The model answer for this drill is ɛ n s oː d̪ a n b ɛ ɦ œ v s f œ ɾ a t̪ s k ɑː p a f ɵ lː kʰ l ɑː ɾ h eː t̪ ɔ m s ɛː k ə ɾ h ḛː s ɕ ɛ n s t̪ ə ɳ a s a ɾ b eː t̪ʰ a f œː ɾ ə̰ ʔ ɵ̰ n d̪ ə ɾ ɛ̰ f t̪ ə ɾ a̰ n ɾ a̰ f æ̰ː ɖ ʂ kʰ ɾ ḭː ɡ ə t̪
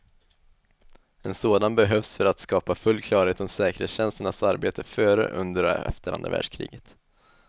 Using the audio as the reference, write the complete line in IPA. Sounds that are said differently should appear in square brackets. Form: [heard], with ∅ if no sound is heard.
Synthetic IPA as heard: ɛ n s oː d̪ a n b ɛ ɦ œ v s f œ ɾ a t̪ s k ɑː p a f ɵ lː kʰ l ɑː ɾ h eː t̪ ɔ m s ɛː k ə ɾ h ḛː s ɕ ɛ n s t̪ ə ɳ a s a ɾ b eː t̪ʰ [ə] f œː ɾ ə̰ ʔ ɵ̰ n d̪ ə ɾ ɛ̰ f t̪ ə ɾ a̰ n ɾ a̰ [v] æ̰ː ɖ ʂ kʰ ɾ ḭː ɡ ə t̪